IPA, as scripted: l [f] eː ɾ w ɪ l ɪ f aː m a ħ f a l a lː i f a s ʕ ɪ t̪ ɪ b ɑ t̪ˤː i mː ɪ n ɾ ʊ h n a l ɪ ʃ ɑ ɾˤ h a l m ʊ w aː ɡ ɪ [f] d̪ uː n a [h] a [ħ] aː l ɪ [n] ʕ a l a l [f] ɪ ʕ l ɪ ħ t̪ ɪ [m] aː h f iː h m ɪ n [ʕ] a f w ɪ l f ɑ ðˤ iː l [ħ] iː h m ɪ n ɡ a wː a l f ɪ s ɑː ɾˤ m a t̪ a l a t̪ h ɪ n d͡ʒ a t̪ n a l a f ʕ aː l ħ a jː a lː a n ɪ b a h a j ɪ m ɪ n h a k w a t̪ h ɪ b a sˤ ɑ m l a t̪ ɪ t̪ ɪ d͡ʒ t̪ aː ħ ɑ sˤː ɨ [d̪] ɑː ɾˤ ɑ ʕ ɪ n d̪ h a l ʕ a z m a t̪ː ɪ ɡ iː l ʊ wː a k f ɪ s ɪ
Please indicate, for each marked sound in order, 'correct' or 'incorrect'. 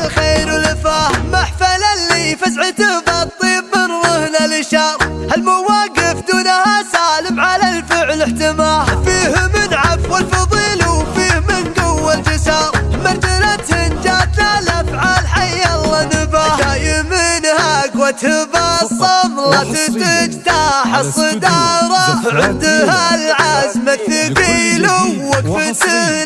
incorrect: x, correct, correct, incorrect: s, incorrect: m, correct, correct, correct, incorrect: f, correct

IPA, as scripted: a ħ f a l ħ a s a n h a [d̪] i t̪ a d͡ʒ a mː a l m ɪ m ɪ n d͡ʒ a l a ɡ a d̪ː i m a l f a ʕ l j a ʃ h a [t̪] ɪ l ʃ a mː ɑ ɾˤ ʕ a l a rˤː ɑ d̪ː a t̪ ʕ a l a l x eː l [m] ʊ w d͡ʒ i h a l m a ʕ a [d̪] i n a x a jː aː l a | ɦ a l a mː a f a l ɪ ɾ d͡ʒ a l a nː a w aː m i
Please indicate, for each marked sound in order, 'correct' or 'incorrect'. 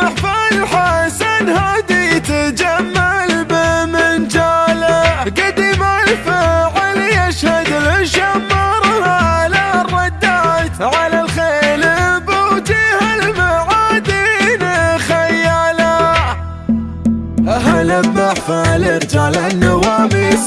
correct, incorrect: d̪, incorrect: b, correct

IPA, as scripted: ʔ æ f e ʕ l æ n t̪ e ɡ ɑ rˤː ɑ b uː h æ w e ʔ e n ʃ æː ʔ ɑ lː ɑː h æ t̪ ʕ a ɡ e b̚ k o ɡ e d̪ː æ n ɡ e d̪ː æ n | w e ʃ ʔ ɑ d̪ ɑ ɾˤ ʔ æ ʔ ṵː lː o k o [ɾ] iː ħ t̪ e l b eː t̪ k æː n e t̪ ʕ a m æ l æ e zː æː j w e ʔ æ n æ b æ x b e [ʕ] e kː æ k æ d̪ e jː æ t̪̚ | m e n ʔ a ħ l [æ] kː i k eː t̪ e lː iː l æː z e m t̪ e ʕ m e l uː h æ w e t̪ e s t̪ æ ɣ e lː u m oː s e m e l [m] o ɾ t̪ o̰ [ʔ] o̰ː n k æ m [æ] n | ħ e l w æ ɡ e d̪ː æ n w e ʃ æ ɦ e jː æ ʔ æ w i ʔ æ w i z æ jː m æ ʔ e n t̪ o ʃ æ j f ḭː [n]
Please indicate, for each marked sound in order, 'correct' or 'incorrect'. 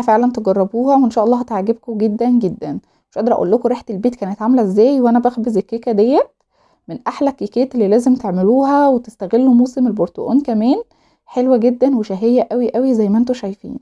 correct, incorrect: z, correct, incorrect: b, correct, incorrect: æː, correct

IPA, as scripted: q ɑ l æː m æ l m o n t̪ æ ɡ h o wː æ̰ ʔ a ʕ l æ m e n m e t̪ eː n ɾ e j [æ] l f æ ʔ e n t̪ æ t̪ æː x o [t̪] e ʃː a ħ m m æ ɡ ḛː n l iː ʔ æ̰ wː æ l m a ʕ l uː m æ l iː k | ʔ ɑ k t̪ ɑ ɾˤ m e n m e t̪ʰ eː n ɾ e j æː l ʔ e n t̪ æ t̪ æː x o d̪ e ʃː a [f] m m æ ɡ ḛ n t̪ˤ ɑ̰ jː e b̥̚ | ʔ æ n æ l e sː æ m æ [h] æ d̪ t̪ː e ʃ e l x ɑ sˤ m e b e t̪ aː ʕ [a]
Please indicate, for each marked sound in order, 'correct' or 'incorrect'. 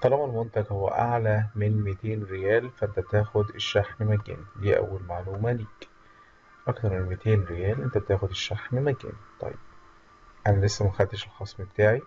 incorrect: æː, incorrect: d̪, incorrect: ħ, incorrect: x, incorrect: i

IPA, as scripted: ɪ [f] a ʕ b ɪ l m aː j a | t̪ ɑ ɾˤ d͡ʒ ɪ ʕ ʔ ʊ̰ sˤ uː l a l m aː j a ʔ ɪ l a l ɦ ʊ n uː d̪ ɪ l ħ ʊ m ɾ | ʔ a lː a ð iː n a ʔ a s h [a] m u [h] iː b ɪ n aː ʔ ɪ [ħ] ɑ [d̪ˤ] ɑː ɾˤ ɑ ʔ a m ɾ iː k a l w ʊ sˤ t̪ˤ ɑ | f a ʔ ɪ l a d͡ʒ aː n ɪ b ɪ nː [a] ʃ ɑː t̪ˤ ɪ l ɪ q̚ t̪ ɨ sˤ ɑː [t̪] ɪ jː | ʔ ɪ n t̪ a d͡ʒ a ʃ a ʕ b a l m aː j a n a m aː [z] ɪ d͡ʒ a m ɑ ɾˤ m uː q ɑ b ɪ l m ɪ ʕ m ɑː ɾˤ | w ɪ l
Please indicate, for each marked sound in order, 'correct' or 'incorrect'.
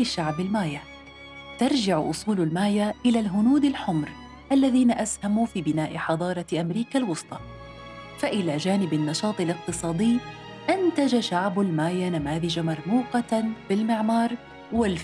incorrect: ʃ, correct, incorrect: f, correct, correct, incorrect: ɑ, incorrect: d̪, incorrect: ð

